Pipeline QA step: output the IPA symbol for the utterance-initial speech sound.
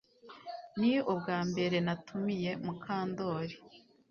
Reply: n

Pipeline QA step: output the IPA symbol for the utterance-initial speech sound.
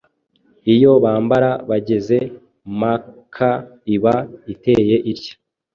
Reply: i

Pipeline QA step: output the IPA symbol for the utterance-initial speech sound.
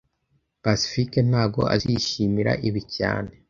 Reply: p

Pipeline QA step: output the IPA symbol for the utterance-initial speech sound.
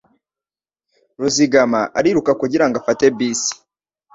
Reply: ɾ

